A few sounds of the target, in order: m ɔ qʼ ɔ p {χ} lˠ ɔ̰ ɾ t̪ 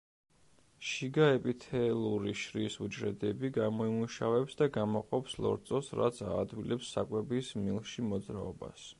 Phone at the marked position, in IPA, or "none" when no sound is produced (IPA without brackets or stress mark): s